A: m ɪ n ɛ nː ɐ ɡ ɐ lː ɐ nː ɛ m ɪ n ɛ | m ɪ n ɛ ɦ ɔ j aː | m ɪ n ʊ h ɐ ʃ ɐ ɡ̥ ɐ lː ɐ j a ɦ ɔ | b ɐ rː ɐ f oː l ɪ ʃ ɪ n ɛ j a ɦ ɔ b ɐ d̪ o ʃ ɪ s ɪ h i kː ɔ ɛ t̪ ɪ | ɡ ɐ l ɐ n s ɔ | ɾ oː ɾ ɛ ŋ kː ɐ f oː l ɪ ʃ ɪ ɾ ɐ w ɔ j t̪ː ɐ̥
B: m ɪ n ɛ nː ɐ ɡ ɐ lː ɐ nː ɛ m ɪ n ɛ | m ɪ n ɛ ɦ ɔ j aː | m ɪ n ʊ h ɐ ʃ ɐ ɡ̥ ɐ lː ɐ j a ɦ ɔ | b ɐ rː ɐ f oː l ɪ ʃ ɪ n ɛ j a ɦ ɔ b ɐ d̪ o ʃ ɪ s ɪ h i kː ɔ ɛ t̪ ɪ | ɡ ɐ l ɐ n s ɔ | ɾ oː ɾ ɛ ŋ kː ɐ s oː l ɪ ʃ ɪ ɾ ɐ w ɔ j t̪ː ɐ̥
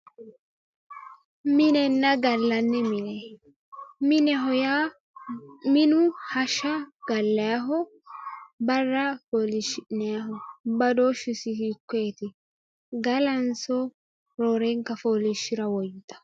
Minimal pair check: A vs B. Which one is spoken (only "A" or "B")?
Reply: A